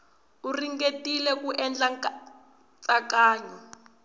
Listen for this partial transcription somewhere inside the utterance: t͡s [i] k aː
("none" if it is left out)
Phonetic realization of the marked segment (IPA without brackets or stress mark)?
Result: a